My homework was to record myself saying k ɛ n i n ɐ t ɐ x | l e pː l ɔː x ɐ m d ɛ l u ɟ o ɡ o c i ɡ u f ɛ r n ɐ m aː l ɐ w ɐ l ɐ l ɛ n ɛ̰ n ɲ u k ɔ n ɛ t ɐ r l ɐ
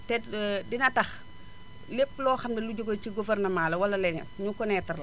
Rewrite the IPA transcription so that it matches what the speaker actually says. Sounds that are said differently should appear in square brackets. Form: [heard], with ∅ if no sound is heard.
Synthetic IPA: [t] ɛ [d] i n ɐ t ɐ x | l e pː l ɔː x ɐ m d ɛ l u ɟ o ɡ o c i ɡ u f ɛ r n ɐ m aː l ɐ w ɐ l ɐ l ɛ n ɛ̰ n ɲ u k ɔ n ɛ t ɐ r l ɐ